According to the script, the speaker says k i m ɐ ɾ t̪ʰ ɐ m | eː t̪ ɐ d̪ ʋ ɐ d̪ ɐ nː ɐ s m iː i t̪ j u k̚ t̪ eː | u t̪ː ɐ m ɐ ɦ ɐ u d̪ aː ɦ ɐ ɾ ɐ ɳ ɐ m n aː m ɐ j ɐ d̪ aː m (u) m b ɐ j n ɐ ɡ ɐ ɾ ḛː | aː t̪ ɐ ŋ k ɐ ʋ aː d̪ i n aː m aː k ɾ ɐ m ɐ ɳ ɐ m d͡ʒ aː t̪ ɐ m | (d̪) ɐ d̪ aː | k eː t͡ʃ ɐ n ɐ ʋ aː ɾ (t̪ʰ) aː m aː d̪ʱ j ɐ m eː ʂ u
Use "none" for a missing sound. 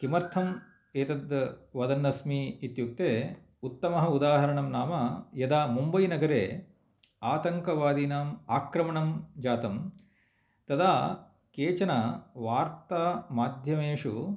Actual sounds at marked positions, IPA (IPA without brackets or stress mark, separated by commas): u, t̪, t̪